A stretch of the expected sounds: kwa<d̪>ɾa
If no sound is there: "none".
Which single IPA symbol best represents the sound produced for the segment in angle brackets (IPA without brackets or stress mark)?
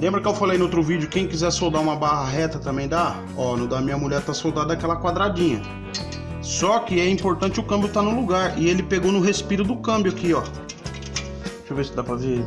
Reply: d̪